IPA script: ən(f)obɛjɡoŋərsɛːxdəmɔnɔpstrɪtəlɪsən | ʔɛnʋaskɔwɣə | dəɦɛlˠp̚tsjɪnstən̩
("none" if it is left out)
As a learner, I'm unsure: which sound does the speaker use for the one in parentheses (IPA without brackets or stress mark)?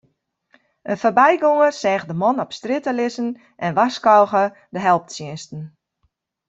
f